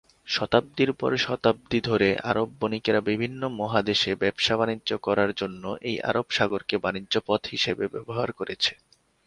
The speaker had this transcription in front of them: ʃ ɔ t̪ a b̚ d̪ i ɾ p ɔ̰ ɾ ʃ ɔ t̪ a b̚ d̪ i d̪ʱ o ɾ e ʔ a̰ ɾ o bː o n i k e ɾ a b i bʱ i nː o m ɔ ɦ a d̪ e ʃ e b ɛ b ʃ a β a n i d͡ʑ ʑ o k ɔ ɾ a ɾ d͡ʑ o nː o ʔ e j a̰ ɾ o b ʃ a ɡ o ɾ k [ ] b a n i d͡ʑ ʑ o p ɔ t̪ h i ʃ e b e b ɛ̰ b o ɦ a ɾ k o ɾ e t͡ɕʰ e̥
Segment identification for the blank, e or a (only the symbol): e